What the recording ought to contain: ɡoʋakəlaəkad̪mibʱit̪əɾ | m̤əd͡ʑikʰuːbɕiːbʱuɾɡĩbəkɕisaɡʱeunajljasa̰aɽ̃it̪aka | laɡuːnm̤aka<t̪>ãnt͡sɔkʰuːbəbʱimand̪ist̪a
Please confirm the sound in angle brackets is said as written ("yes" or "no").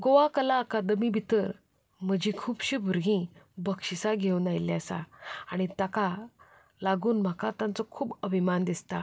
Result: yes